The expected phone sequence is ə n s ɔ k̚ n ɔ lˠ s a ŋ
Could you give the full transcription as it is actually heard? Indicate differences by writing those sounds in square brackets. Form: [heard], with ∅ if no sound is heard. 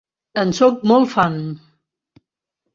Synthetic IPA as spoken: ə n s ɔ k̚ [m] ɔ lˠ [f] a [n]